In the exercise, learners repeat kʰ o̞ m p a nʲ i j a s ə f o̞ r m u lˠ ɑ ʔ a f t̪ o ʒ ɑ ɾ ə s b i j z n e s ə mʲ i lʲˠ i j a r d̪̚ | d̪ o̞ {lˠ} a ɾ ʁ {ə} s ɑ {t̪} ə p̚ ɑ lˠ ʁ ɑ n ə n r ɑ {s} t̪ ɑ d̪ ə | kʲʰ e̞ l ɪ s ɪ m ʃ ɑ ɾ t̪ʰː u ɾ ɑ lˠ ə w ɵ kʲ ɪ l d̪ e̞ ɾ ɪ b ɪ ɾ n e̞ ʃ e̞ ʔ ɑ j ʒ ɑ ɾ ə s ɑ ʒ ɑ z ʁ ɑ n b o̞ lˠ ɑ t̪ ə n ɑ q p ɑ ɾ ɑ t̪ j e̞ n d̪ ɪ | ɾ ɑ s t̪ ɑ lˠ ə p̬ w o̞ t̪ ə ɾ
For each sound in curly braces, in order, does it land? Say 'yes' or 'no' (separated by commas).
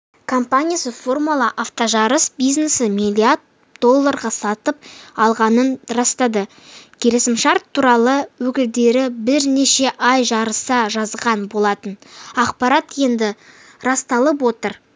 no, no, yes, yes